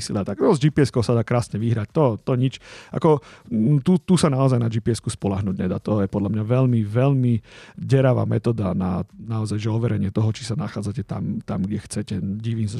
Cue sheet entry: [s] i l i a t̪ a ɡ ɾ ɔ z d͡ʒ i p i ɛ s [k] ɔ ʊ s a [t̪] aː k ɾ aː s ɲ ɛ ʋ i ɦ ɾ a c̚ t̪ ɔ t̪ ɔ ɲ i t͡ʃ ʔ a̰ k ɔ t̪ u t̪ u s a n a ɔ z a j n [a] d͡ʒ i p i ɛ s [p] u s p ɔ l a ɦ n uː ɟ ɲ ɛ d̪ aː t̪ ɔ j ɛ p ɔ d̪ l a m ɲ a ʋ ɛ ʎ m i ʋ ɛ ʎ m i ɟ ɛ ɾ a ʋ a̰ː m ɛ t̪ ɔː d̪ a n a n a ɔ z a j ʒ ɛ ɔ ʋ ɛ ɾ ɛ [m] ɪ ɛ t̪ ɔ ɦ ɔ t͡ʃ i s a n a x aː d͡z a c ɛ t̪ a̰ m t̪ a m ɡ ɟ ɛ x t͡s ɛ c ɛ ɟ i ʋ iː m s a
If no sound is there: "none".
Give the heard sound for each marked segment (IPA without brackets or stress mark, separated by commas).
s, k, d̪, a, k, ɲ